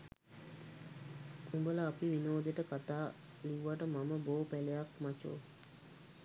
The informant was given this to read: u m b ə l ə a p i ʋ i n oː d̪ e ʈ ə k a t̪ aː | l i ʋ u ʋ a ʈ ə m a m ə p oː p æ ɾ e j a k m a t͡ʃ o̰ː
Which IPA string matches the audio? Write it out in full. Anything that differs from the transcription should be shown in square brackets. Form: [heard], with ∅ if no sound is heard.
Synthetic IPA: u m b ə l ə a p i ʋ i n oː d̪ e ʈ ə k a t̪ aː | l i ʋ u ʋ a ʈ ə m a m ə [b] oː p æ [l] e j a k m a t͡ʃ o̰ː